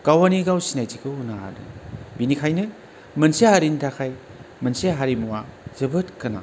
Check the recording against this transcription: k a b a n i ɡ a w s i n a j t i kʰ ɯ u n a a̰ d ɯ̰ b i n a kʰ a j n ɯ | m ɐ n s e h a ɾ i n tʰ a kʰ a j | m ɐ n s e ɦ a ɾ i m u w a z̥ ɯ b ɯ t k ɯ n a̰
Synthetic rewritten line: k a w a n i ɡ a w s i n a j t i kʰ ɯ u n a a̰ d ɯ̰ b i n i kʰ a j n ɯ | m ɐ n s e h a ɾ i n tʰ a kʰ a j | m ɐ n s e ɦ a ɾ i m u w a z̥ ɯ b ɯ t k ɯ n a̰